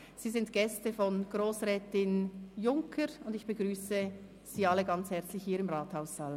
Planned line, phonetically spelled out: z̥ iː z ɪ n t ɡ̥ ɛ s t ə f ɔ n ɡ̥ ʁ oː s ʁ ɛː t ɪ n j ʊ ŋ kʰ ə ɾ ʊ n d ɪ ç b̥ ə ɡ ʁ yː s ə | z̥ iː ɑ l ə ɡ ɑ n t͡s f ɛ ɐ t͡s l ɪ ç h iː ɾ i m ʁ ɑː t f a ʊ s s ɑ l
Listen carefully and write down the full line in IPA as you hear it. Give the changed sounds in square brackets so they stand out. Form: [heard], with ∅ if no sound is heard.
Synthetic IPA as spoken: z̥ iː z ɪ n t ɡ̥ ɛ s t ə f ɔ n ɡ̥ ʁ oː s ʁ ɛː t ɪ n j ʊ ŋ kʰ ə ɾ ʊ n d ɪ ç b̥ ə ɡ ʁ yː s ə | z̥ iː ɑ l ə ɡ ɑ n t͡s [h] ɛ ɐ t͡s l ɪ ç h iː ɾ [ɪ] m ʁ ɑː t [h] a ʊ s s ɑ l